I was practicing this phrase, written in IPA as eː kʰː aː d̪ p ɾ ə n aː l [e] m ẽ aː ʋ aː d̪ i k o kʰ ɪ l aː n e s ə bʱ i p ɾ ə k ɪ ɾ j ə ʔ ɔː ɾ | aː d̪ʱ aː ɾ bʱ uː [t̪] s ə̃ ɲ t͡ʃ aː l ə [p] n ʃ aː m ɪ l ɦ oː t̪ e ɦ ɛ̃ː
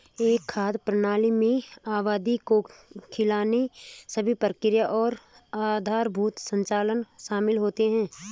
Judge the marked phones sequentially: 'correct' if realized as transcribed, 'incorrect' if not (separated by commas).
incorrect, correct, incorrect